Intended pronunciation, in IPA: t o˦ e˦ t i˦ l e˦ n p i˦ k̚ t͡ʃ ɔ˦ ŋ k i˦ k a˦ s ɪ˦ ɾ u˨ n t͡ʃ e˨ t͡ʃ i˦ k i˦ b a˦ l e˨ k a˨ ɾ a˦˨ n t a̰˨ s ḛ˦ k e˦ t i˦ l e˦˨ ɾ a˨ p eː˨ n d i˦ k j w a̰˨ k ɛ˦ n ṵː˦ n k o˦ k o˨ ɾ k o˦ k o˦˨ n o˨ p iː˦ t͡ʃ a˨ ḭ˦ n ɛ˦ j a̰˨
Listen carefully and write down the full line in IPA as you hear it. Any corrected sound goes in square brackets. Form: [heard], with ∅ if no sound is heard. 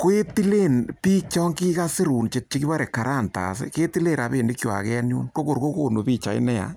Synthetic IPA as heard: [k] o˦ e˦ t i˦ l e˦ n p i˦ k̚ t͡ʃ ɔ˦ ŋ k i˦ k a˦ s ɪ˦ ɾ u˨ n t͡ʃ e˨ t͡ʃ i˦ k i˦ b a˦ [ɾ] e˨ k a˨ ɾ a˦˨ n t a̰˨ s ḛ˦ k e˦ t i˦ l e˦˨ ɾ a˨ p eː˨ n d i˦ k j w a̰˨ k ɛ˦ n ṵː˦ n k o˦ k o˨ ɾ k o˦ k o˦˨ n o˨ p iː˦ t͡ʃ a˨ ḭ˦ n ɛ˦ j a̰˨